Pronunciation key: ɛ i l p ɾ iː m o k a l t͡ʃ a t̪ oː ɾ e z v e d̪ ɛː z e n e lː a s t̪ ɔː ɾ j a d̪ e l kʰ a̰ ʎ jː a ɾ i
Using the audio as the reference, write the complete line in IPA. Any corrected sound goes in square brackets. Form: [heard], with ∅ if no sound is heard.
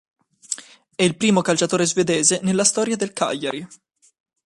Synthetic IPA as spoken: ɛ i l p ɾ iː m o k a l t͡ʃ a t̪ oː ɾ e z v e d̪ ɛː z e n e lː a s t̪ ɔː ɾ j a d̪ e l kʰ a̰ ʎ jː a ɾ i